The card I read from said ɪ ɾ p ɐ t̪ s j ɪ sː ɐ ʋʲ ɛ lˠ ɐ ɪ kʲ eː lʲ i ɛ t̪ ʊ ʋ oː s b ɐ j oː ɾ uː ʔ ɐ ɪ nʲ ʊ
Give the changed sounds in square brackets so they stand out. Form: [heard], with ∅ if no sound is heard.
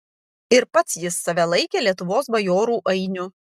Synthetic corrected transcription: ɪ ɾ p ɐ t̪ s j ɪ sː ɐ ʋʲ ɛ lˠ ɐ ɪ kʲ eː lʲ i ɛ t̪ ʊ ʋ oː s b ɐ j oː ɾ uː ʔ ɐ ɪ nʲ ʊ